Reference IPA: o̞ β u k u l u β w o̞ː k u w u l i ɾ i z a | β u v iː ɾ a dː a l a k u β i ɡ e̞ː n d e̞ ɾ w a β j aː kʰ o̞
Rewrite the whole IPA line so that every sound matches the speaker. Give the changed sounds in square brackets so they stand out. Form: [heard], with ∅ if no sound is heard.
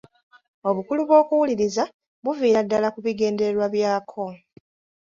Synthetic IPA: o̞ β u k u l u β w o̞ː k u w u l i ɾ i z a | β u v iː ɾ a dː a l a k u β i ɡ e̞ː n d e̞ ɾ w a β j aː kʰ o̞